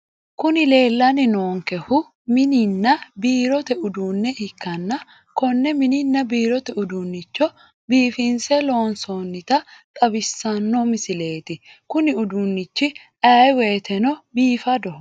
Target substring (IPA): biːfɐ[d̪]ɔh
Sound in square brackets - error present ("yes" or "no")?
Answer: no